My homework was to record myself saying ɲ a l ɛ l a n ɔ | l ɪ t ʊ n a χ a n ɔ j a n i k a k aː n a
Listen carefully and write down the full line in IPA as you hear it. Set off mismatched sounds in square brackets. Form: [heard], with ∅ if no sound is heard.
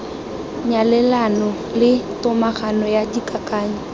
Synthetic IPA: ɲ a l ɛ l a n ɔ | l ɪ t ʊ [m] a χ a n ɔ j a [d] i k a k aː [ɲ] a

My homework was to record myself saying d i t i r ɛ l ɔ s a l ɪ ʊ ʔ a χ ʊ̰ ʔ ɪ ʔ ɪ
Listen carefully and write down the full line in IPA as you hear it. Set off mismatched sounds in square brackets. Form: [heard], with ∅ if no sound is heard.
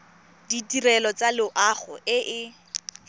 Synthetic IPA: d i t i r ɛ l ɔ [t͡s] a l ɪ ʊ ʔ a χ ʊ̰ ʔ ɪ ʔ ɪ

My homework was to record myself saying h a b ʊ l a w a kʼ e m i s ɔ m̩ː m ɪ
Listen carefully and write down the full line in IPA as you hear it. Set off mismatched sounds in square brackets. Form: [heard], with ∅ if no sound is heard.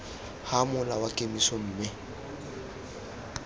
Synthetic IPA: h a [m] ʊ l a w a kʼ e m i s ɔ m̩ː m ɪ

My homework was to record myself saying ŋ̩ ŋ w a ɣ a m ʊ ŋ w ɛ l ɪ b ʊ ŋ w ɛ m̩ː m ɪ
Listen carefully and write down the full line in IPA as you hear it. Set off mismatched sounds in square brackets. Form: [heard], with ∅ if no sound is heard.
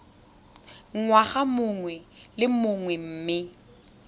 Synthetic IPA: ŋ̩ ŋ w a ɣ a m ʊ ŋ w ɛ l ɪ [m] ʊ ŋ w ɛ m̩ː m ɪ

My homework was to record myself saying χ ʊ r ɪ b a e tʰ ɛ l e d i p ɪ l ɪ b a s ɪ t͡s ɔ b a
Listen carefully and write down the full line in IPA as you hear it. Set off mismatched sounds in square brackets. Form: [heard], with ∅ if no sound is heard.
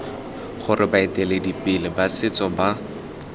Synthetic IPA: χ ʊ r ɪ b a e [t] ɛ l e d i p ɪ l ɪ b a s ɪ t͡s ɔ b a

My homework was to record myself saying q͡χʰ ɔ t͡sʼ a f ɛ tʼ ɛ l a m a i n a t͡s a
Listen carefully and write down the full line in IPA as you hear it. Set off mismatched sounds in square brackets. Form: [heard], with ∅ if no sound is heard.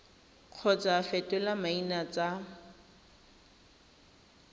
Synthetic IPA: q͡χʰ ɔ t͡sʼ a f ɛ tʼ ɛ l a m a i n a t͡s a

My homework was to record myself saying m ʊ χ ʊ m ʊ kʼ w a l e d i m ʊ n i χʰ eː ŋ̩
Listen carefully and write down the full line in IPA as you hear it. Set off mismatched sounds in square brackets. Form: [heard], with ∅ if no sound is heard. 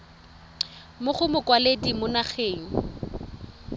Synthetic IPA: m ʊ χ ʊ m ʊ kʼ w a l e d i m ʊ n [a] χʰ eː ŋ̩

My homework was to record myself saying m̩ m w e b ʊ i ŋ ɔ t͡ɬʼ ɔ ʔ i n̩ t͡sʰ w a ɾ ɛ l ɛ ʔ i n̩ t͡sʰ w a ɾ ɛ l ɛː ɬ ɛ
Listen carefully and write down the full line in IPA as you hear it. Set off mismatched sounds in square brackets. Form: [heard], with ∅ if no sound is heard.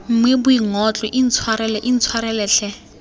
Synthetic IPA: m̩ m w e b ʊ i ŋ ɔ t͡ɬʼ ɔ ʔ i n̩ t͡sʰ w a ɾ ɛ l ɛ ʔ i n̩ t͡sʰ w a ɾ ɛ l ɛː ɬ ɛ

